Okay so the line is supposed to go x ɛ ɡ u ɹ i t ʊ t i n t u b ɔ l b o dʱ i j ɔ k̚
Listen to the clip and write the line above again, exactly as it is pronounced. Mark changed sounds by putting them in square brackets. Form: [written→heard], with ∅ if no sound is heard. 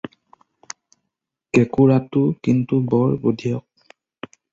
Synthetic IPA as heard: [x→k] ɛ [ɡ→k] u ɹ [i→a] t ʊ [t→k] i n t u b ɔ [l→ɹ] b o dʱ i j ɔ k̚